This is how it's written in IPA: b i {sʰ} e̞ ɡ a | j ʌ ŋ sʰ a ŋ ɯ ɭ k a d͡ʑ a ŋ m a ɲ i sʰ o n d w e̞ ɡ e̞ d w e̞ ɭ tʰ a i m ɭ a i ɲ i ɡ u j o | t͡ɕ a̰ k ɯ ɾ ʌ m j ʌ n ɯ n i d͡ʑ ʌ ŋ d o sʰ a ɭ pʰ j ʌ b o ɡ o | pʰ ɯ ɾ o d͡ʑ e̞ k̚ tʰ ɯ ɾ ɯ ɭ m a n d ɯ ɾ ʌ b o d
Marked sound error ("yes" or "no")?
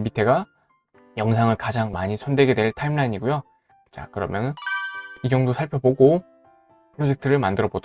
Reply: yes